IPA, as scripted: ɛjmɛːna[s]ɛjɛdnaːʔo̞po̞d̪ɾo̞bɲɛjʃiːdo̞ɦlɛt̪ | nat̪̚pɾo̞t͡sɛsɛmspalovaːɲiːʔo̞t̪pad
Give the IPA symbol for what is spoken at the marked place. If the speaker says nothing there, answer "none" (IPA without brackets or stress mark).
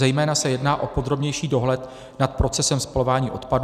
s